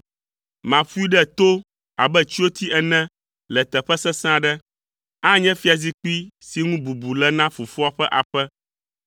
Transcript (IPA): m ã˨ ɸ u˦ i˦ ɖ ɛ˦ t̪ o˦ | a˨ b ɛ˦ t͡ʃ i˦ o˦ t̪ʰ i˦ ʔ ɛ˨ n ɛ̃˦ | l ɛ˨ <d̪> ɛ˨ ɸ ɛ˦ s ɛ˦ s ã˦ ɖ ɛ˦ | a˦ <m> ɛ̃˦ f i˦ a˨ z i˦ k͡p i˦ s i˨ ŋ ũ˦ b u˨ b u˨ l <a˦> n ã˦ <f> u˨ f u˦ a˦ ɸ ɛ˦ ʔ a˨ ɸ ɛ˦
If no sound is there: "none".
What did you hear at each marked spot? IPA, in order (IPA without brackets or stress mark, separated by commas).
t̪, ɲ, ɛ˦, f